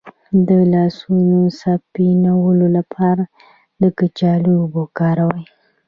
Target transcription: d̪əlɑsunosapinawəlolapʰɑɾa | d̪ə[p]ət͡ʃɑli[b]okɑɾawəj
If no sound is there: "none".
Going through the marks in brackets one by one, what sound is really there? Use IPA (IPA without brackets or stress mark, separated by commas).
k, b